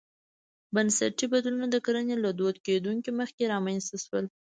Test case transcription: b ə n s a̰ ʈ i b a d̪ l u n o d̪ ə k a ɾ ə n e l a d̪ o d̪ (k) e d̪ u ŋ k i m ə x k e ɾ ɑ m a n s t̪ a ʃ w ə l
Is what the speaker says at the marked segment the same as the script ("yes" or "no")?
yes